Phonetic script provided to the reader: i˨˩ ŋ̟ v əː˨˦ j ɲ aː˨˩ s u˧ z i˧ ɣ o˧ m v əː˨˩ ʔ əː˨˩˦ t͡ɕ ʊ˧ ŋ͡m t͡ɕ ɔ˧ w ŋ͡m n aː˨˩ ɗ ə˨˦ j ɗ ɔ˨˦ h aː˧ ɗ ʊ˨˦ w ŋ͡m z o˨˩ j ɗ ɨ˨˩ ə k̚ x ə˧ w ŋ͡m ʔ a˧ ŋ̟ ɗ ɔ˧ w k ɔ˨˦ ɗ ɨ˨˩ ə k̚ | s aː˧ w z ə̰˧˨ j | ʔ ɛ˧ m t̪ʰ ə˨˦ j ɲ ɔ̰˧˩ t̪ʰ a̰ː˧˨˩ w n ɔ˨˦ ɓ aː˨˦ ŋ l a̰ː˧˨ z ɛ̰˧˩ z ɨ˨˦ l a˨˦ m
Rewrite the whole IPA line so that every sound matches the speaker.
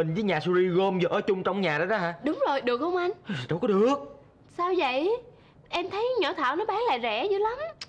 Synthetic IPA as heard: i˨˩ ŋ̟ v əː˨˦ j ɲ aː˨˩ s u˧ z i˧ ɣ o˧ m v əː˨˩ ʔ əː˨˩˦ t͡ɕ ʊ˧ ŋ͡m t͡ɕ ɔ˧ w ŋ͡m ɲ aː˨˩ ɗ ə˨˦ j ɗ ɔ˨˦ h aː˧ ɗ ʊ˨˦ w ŋ͡m z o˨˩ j ɗ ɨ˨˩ ə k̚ h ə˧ w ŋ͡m ʔ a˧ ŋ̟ ɗ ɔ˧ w k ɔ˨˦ ɗ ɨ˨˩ ə k̚ | s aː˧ w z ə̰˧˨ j | ʔ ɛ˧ m t̪ʰ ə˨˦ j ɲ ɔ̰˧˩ t̪ʰ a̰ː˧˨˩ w n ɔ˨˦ ɓ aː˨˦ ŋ l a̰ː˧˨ z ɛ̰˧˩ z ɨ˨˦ l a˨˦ m